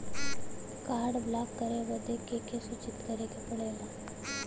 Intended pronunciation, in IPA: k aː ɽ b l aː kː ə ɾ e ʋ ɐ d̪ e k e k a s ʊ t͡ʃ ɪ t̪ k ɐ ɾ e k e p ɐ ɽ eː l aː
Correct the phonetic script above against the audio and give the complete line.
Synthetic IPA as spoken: k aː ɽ b l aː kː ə ɾ e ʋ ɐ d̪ e k e k e s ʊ t͡ʃ ɪ t̪ k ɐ ɾ e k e p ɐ ɽ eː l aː